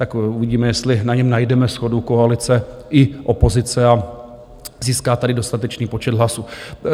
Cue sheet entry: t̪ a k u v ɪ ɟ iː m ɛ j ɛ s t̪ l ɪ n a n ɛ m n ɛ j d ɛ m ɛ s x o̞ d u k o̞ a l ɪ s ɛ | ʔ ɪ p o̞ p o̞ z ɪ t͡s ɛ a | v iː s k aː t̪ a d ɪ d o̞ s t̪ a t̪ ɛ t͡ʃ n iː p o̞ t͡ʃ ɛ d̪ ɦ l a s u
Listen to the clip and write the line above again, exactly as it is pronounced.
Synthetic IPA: t̪ a k u v ɪ ɟ iː m ɛ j ɛ s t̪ l ɪ n a ɲ ɛ m n a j d ɛ m ɛ s x o̞ d u k o̞ a l ɪ t͡s ɛ | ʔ ɪ ʔ o̞ p o̞ z ɪ t͡s ɛ a | z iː s k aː t̪ a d ɪ d o̞ s t̪ a t̪ ɛ t͡ʃ n iː p o̞ t͡ʃ ɛ d̪ ɦ l a s u